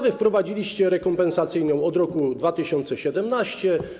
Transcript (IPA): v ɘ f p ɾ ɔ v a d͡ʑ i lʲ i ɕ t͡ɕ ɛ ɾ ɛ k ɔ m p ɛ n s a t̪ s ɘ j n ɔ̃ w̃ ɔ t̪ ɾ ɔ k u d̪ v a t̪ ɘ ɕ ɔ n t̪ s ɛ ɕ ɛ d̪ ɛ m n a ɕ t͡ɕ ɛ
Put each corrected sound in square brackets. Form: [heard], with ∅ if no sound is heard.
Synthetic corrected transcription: v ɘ f p ɾ ɔ v a d͡ʑ i lʲ i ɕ t͡ɕ ɛ ɾ ɛ k ɔ m p ɛ n s a t̪ s ɘ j n ɔ̃ w̃ ɔ [d̪] ɾ ɔ k u d̪ v a t̪ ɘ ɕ ɔ n t̪ s ɛ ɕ ɛ d̪ ɛ m n a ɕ t͡ɕ ɛ